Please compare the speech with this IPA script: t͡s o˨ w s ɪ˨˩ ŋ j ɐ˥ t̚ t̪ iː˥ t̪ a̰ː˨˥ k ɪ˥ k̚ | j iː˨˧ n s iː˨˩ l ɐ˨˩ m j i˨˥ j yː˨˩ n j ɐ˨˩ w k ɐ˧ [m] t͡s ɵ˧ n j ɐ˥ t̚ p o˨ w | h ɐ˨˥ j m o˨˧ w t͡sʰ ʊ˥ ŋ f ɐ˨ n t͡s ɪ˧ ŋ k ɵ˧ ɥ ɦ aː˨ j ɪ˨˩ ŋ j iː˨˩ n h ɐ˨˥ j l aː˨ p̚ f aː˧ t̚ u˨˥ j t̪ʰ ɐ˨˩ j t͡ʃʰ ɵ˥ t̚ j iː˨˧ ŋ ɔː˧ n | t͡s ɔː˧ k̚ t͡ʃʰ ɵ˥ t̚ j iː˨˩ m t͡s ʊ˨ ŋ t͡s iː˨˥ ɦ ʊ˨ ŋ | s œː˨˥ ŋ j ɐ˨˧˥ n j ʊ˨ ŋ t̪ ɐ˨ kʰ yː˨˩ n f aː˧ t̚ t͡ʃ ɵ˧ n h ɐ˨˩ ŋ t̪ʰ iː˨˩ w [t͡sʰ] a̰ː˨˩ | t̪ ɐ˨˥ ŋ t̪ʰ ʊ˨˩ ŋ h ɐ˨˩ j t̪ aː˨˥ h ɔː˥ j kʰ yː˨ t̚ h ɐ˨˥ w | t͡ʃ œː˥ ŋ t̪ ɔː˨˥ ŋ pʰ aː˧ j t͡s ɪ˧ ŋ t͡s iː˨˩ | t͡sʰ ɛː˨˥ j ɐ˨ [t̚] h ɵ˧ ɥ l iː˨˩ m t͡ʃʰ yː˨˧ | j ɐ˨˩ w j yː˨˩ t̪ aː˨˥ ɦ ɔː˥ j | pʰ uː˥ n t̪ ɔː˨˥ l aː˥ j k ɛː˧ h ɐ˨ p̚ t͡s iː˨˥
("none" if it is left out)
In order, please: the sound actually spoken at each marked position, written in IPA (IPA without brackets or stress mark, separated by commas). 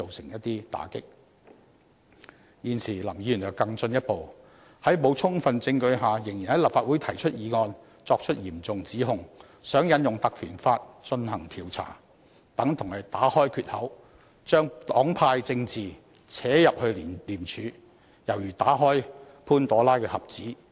ŋ, t͡sʰ, p̚